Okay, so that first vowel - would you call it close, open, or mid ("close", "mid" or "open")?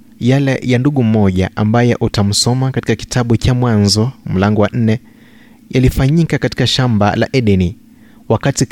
open